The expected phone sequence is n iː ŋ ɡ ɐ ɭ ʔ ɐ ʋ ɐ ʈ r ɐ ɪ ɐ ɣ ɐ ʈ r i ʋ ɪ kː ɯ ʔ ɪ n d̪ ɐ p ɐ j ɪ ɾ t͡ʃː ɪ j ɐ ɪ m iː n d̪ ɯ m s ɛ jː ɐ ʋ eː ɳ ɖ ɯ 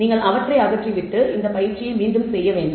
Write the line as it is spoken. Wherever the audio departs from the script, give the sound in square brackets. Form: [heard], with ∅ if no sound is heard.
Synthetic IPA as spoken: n iː ŋ ɡ ɐ ɭ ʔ ɐ ʋ ɐ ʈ r ɐ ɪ ɐ ɣ ɐ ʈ r i ʋ ɪ [ʈː] ɯ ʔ ɪ n d̪ ɐ p ɐ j ɪ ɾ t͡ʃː ɪ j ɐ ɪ m iː n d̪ ɯ m s ɛ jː ɐ ʋ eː ɳ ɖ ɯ

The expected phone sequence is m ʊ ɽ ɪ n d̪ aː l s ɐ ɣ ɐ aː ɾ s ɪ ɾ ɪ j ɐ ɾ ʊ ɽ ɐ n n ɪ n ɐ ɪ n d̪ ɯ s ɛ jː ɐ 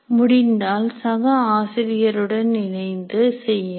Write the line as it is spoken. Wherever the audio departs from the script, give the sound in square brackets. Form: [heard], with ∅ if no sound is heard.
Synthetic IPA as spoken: m ʊ ɽ ɪ n d̪ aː l s ɐ ɣ ɐ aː [∅] s ɪ ɾ ɪ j ɐ ɾ [ɯ] ɽ ɐ n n ɪ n ɐ ɪ n d̪ ɯ s ɛ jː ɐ

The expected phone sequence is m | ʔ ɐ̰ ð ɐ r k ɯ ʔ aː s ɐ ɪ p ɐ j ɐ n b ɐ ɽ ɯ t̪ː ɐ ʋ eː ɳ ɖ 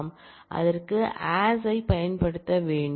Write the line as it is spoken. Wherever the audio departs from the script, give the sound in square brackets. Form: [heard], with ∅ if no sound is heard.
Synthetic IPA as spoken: m | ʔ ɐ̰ ð ɐ r k ɯ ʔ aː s ɐ ɪ p ɐ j ɐ n [p] ɐ ɽ ɯ t̪ː ɐ ʋ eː ɳ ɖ

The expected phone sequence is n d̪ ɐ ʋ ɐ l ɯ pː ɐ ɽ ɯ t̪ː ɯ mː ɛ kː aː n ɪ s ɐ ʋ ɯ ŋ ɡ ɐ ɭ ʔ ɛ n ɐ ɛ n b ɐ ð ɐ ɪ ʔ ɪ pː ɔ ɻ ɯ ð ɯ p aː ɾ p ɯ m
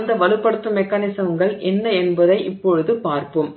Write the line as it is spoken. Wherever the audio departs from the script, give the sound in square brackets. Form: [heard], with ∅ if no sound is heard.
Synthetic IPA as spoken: n d̪ ɐ ʋ ɐ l ɯ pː ɐ ɽ ɯ t̪ː ɯ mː ɛ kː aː n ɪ s ɐ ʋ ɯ ŋ ɡ ɐ ɭ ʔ ɛ [nː] ɐ ɛ n b ɐ ð ɐ ɪ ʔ ɪ pː ɔ ɻ ɯ ð ɯ p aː ɾ p ɯ m

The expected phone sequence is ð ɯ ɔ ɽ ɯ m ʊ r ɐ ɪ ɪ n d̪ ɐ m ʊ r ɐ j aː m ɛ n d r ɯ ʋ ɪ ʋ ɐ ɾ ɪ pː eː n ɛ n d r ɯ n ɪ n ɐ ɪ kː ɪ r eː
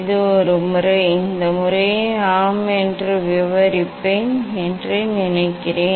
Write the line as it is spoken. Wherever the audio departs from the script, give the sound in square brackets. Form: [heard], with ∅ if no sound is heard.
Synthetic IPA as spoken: ð ɯ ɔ [ɾ] ɯ m ʊ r ɐ ɪ ɪ n d̪ ɐ m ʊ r ɐ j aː m ɛ n d r ɯ ʋ ɪ ʋ ɐ ɾ ɪ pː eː n ɛ n d r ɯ n ɪ n ɐ ɪ kː ɪ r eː

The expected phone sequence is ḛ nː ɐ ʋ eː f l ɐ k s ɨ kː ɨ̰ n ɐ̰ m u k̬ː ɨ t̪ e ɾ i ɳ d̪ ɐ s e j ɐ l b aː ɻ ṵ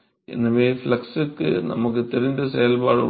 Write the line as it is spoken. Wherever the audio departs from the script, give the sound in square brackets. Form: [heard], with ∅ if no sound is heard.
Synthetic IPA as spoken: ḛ nː ɐ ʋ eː f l ɐ k s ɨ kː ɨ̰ n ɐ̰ m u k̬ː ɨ t̪ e ɾ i [n] d̪ ɐ s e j ɐ l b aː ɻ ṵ

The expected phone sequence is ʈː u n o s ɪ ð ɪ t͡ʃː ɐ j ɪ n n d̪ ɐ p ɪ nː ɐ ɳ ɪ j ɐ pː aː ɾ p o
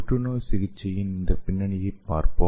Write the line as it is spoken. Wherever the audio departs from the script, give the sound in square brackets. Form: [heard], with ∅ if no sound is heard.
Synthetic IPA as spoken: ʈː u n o s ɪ [ɣ] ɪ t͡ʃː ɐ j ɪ n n d̪ ɐ p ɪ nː ɐ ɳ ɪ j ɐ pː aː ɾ p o

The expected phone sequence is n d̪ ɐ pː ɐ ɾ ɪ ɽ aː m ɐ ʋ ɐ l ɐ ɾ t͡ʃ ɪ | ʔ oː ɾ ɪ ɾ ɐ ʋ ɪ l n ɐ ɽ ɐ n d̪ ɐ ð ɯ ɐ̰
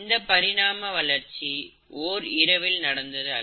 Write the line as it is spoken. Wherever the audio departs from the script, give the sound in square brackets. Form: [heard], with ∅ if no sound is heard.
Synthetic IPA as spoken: n d̪ ɐ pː ɐ ɾ ɪ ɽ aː m ɐ ʋ ɐ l ɐ ɾ t͡ʃ [i] | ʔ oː ɾ ɪ ɾ ɐ ʋ ɪ l n ɐ ɽ ɐ n d̪ ɐ ð ɯ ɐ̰

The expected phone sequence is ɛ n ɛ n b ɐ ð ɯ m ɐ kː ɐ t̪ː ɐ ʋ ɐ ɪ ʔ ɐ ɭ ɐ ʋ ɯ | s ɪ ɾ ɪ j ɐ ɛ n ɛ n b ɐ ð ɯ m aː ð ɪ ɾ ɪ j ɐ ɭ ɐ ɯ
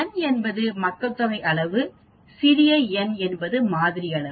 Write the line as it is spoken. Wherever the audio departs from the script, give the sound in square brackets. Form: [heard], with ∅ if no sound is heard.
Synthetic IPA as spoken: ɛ n ɛ n b ɐ ð ɯ m ɐ kː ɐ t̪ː ɐ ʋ ɐ ɪ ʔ ɐ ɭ ɐ ʋ ɯ | s ɪ ɾ ɪ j ɐ ɛ n ɛ n b ɐ ð ɯ m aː ð ɪ ɾ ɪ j ɐ ɭ ɐ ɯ

